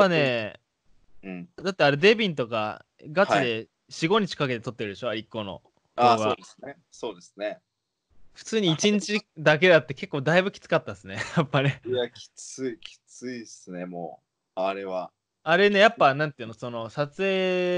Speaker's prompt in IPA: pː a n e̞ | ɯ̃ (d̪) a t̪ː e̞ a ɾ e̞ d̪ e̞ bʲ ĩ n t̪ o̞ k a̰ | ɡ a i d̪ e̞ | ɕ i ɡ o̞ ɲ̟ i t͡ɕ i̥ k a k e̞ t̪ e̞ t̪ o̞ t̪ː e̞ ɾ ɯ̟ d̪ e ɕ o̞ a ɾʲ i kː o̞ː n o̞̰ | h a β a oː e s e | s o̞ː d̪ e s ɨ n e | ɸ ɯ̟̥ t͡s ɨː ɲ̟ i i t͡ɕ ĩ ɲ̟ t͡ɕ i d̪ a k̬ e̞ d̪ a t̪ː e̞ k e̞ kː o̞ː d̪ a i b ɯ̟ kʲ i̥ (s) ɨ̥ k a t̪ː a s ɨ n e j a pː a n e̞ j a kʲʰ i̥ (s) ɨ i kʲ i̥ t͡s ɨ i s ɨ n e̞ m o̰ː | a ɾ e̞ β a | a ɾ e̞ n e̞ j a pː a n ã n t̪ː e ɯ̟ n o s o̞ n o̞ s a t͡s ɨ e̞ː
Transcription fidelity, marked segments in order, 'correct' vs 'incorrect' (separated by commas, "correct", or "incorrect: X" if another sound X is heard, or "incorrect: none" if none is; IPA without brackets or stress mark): correct, incorrect: t͡s, incorrect: t͡s